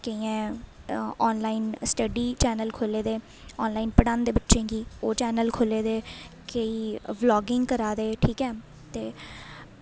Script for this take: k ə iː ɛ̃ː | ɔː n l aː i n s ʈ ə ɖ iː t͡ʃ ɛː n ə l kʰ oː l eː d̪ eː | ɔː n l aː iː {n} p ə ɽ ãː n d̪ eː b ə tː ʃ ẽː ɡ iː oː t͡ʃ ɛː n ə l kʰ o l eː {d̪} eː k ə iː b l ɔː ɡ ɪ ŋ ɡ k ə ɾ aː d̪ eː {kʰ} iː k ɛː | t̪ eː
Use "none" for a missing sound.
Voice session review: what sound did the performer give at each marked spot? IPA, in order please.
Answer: n, d̪, ʈʰ

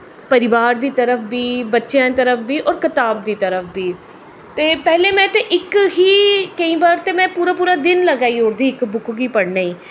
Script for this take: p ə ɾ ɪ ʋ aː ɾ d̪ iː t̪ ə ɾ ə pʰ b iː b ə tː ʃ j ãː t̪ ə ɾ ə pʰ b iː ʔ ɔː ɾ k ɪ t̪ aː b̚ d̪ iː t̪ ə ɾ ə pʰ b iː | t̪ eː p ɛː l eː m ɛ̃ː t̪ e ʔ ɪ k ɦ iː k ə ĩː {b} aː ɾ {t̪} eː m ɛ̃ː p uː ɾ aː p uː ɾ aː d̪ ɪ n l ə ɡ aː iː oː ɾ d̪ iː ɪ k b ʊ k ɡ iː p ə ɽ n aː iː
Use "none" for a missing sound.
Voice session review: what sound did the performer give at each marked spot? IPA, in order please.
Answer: b, t̪

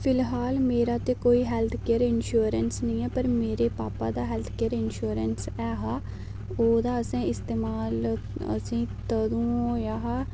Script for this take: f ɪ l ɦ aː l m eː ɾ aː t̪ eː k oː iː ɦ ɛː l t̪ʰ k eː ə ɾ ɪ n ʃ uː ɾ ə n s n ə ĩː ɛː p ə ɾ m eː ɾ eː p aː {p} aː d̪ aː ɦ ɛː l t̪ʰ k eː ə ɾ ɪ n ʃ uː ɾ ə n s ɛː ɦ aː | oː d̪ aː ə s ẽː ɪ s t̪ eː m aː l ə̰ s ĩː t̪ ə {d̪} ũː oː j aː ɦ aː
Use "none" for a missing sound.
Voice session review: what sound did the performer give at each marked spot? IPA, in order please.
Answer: p, d̪

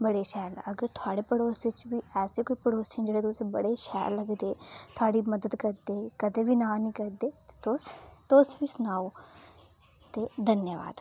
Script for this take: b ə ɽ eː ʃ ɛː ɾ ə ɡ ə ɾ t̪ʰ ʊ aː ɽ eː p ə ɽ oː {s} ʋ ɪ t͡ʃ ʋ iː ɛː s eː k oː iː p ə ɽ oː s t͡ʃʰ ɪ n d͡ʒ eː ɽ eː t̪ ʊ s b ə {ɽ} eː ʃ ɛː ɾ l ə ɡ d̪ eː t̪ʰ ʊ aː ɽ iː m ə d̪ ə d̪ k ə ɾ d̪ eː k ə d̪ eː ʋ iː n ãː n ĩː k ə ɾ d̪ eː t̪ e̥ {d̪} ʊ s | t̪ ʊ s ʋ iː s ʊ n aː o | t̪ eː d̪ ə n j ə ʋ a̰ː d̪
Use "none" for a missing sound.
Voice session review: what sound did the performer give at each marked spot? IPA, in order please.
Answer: s, ɽ, t̪

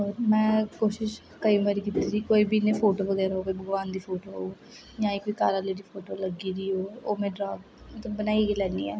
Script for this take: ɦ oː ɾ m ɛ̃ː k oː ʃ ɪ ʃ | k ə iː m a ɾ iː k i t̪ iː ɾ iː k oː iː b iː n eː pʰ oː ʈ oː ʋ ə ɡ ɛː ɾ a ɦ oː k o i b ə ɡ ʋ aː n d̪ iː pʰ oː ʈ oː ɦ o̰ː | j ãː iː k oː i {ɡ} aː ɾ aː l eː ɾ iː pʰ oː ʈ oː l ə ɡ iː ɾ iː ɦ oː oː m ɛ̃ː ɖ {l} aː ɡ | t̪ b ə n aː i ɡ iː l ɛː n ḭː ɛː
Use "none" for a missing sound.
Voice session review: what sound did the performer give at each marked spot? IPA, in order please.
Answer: k, ɾ

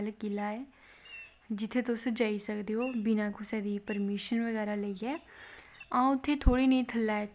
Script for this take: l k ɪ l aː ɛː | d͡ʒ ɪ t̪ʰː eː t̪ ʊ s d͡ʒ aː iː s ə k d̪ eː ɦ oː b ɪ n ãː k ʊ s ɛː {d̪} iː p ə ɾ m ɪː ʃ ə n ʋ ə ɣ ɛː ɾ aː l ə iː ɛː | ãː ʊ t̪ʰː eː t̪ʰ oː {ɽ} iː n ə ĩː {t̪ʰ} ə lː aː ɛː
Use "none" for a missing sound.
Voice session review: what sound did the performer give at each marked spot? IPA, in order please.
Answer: d̪, ɽ, t̪ʰ

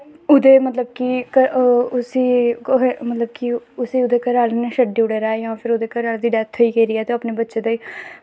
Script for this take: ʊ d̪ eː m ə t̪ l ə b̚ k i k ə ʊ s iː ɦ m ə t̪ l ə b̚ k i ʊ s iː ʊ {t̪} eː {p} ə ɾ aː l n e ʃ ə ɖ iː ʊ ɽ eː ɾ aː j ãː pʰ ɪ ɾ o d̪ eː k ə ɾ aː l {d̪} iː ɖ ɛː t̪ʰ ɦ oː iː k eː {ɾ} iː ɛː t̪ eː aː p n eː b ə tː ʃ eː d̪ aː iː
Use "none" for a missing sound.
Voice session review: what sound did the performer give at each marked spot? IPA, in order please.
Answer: d̪, k, d̪, ɾ

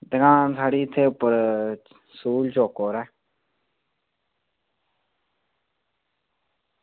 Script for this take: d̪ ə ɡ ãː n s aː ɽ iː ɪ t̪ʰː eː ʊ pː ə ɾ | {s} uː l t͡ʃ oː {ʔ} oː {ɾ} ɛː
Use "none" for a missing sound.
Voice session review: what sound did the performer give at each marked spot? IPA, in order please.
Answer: s, k, ɾ

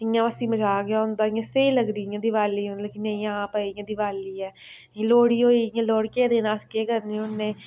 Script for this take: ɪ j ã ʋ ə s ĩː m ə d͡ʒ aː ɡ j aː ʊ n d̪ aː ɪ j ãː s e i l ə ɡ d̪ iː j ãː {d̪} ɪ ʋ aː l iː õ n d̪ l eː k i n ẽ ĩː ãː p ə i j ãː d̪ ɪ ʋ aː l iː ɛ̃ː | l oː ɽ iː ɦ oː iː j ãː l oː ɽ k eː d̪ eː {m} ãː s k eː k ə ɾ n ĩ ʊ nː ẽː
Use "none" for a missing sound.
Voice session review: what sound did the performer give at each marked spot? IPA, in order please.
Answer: d̪, n

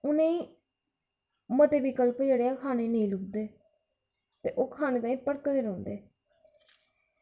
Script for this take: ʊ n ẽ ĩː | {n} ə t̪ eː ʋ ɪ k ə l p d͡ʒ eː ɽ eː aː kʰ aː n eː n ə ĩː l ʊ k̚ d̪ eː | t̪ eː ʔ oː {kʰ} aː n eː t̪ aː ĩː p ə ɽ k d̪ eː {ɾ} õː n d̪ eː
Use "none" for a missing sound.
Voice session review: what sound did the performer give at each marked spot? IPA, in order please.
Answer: m, kʰ, ɾ

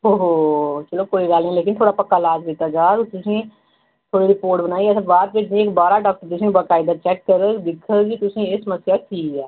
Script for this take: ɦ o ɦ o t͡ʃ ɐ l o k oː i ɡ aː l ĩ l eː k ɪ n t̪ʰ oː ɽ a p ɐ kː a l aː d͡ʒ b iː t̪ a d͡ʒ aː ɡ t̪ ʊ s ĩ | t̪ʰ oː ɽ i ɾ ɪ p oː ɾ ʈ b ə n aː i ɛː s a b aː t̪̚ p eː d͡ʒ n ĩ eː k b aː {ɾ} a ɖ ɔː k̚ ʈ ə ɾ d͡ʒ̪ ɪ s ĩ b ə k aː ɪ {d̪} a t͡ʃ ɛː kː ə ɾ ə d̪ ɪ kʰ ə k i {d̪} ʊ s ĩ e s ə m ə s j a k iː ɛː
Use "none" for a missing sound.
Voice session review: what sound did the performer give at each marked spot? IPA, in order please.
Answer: ɾ, d̪, t̪

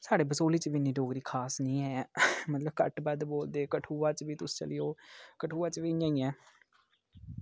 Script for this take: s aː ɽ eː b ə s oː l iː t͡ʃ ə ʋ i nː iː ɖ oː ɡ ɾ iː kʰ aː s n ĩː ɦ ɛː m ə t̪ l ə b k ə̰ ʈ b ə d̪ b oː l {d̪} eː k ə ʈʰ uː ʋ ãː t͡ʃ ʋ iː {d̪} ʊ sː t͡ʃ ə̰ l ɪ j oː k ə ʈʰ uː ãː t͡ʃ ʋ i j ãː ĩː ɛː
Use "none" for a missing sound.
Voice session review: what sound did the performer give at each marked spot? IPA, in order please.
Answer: d̪, t̪

